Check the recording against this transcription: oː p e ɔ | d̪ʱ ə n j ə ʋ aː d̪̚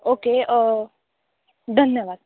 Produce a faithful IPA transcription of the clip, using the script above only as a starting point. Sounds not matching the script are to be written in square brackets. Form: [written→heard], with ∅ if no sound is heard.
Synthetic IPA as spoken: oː [p→k] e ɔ | d̪ʱ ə n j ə ʋ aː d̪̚

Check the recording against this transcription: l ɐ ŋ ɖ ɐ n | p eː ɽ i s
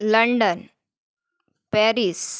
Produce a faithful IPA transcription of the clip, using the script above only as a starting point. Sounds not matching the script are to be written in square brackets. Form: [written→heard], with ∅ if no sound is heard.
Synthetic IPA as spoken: l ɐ [ŋ→ɳ] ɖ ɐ n | p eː [ɽ→ɾ] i s

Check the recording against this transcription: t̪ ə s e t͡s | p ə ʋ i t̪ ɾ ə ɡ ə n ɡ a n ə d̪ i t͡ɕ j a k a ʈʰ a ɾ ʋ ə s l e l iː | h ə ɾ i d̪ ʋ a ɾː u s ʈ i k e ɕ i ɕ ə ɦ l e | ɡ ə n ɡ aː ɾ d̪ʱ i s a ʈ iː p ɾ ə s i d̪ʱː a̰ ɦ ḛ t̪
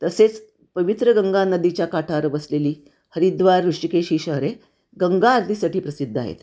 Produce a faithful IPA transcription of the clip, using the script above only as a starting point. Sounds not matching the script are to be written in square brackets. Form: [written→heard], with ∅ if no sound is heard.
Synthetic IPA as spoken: t̪ ə s e t͡s | p ə ʋ i t̪ ɾ ə ɡ ə [n→ŋ] ɡ a n ə d̪ i t͡ɕ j a k a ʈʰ a ɾ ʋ ə s l e l iː | h ə ɾ i d̪ ʋ a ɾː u [s→ʂ] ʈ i k e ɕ i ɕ ə ɦ [l→ɾ] e | ɡ ə [n→ŋ] ɡ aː ɾ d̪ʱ i s a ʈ iː p ɾ ə s i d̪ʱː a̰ ɦ ḛ t̪

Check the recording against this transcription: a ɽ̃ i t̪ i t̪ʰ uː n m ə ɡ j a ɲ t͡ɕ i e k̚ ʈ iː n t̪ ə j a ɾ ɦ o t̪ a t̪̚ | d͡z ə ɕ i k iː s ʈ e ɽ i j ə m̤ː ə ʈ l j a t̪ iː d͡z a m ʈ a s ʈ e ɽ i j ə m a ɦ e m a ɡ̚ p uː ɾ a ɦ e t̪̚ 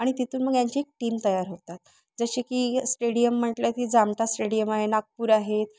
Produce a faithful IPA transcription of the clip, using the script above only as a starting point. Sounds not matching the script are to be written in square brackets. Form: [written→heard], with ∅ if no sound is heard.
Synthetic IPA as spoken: a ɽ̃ i t̪ i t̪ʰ uː n m ə ɡ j a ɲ t͡ɕ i e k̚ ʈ iː [n→m] t̪ ə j a ɾ ɦ o t̪ a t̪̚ | d͡z ə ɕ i k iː s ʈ e ɽ i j ə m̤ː ə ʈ l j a t̪ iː d͡z a m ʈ a s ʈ e ɽ i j ə m a ɦ e [m→n] a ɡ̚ p uː ɾ a ɦ e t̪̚

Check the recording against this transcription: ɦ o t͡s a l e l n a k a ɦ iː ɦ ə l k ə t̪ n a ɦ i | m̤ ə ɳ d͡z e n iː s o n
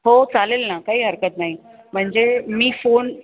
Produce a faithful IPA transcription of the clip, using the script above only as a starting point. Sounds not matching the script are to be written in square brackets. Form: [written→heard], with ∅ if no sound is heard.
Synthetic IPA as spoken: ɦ o t͡s a l e l n a k a ɦ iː ɦ ə [l→ɾ] k ə t̪ n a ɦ i | m̤ ə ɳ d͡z e [n→m] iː [s→f] o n

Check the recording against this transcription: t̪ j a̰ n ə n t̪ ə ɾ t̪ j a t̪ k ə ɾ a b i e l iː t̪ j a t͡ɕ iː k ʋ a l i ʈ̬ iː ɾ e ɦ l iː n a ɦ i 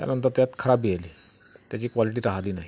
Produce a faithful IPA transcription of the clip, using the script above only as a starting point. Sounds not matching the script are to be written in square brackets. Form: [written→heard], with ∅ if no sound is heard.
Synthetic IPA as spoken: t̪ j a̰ n ə n t̪ ə ɾ t̪ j a t̪ [k→kʰ] ə ɾ a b i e l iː t̪ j a t͡ɕ iː k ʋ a l i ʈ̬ iː ɾ [e→a] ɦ l iː n a ɦ i

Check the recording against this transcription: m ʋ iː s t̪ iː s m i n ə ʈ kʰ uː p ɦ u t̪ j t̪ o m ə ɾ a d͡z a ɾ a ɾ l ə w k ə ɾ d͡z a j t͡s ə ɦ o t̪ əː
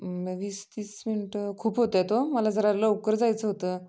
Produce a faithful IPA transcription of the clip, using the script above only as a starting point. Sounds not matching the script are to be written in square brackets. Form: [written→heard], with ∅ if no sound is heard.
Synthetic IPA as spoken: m ʋ iː s t̪ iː s m i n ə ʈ kʰ uː p ɦ [u→o] t̪ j t̪ o m ə [ɾ→l] a d͡z [a→ə] ɾ a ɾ l ə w k ə ɾ d͡z a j t͡s ə ɦ o t̪ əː

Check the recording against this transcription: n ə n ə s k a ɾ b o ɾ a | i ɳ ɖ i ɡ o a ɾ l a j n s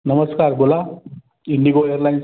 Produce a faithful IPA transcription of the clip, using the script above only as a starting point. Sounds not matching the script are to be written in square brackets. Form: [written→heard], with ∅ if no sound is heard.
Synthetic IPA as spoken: n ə [n→m] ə s k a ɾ b o [ɾ→l] a | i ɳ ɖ i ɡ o [a→e] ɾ l a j n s

